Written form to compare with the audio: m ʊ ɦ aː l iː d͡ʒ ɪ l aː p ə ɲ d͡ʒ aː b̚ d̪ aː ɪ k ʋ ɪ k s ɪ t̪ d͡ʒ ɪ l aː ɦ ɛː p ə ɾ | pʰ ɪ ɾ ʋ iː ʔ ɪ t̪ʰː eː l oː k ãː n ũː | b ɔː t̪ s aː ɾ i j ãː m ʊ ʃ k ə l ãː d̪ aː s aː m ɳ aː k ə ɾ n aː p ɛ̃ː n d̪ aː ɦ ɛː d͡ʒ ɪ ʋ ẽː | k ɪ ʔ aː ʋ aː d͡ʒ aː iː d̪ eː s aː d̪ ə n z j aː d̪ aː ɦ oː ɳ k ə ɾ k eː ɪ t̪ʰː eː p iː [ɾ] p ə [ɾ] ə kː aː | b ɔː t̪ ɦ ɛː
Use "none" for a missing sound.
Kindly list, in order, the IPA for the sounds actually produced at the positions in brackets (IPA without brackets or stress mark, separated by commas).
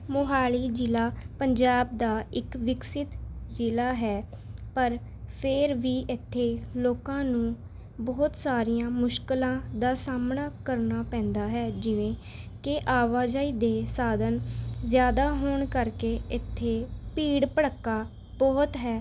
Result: ɽ, ɽ